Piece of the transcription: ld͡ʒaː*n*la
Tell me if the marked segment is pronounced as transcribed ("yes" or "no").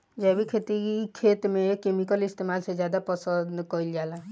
no